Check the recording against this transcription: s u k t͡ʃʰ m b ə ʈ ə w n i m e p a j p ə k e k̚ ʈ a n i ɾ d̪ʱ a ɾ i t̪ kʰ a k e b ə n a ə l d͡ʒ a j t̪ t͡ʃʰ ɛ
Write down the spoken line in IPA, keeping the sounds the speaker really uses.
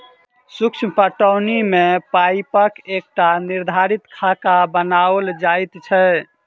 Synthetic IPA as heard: s u k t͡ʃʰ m p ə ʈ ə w n i m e p a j p ə k e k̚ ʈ a n i ɾ d̪ʱ a ɾ i t̪ kʰ a k a b ə n a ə l d͡ʒ a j t̪ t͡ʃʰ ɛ